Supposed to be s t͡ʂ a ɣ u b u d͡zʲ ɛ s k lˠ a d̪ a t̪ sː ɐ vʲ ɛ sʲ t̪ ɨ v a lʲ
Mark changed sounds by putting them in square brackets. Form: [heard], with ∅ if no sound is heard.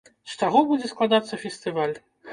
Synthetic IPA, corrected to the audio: s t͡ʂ a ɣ [ɔ] b u d͡zʲ ɛ s k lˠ a d̪ a t̪ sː ɐ [fʲ] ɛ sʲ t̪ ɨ v a lʲ